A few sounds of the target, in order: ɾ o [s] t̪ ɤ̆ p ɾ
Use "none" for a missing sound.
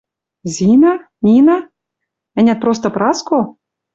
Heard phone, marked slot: s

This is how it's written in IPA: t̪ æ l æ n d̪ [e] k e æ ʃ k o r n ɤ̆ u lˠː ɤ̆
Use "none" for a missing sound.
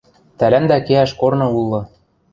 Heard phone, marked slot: æ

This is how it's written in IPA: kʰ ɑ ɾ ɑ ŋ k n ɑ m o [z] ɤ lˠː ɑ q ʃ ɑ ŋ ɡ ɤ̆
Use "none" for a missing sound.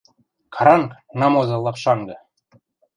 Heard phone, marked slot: z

